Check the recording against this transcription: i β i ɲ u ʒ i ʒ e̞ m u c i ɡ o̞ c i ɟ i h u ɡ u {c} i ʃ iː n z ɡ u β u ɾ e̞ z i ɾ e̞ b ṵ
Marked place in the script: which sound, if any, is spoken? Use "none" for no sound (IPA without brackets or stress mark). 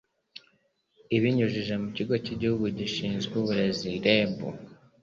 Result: ɟ